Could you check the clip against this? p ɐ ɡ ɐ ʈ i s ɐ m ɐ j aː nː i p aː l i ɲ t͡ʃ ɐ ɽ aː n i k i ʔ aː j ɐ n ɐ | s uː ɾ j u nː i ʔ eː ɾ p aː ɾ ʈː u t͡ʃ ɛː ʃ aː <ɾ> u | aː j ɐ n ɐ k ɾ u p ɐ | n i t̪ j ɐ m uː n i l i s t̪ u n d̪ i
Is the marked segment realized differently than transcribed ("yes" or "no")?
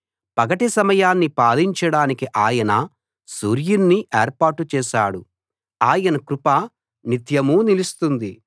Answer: yes